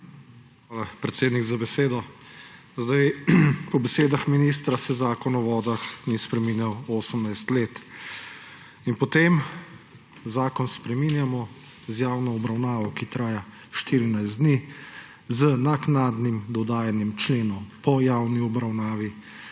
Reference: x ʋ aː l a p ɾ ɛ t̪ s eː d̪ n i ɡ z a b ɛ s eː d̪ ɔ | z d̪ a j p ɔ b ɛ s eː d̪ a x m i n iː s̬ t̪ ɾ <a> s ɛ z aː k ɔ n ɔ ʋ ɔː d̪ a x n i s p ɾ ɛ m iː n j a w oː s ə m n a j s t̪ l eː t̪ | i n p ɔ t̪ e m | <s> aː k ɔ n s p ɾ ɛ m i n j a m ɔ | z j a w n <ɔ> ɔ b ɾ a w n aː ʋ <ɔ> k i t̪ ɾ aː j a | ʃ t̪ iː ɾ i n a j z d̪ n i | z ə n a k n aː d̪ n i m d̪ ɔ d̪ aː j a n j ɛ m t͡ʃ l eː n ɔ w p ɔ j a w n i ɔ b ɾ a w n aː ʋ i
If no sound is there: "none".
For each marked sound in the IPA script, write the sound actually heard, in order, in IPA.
a, z, ɔ, ɔ

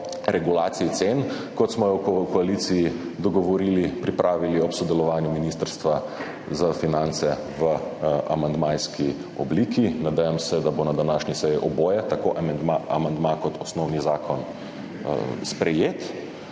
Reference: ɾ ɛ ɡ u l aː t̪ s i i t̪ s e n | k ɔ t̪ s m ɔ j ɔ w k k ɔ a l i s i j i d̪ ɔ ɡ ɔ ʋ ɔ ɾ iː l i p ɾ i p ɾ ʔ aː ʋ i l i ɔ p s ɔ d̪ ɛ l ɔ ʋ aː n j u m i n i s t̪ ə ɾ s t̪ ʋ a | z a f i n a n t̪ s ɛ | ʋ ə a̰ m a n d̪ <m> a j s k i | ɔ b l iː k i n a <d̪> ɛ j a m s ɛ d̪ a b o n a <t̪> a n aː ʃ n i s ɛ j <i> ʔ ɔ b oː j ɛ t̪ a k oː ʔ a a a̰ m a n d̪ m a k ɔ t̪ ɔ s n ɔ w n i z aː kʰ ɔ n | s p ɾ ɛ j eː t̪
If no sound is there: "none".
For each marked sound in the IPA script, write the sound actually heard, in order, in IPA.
m, d̪, d̪, i

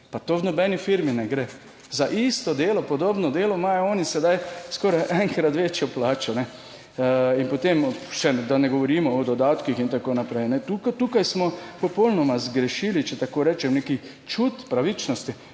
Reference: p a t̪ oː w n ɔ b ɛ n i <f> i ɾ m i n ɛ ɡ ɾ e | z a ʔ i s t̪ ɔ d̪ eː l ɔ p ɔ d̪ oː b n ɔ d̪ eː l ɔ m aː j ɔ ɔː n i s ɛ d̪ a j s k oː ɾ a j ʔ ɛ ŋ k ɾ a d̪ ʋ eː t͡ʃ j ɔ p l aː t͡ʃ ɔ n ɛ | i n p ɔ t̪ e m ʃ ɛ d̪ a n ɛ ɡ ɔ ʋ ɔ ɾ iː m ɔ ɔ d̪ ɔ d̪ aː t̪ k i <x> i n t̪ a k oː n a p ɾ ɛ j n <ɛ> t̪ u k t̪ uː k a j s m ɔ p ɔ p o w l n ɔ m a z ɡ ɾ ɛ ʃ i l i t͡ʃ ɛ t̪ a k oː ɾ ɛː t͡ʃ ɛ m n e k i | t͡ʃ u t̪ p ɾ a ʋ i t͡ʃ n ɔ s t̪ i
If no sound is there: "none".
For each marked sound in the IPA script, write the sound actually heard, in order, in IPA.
f, x, ɛ

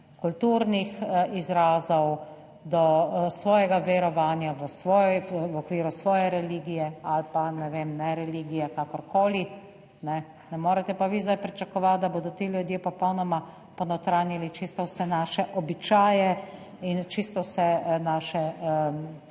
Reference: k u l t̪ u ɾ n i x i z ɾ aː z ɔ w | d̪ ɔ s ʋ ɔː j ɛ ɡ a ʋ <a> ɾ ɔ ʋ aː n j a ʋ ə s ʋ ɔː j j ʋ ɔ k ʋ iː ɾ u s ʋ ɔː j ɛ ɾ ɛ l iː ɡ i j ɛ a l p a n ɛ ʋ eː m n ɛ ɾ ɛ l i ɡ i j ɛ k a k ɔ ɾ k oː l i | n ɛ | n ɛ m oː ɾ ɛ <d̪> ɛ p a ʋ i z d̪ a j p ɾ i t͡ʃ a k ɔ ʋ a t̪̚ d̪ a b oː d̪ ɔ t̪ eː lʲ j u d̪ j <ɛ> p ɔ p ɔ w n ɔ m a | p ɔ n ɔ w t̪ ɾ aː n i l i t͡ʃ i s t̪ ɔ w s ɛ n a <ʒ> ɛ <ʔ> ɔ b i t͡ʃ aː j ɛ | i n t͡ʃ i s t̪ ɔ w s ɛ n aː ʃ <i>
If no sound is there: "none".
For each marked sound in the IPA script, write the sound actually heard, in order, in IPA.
ɛ, t̪, e, ʃ, ʔ, ɛ

